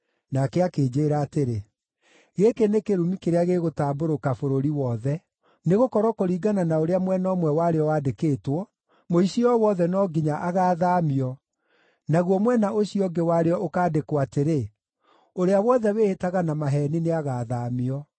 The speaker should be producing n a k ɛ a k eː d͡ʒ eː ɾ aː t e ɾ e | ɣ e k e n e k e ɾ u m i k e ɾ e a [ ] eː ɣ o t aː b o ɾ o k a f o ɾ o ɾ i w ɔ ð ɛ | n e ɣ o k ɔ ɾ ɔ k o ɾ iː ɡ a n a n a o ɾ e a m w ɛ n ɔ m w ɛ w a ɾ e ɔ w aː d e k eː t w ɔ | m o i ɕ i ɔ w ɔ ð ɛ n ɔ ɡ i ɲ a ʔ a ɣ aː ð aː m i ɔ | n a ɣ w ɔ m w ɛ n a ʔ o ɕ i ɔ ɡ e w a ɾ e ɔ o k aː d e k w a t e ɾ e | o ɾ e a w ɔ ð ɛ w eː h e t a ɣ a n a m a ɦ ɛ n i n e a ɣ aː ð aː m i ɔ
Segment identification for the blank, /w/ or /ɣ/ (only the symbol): ɣ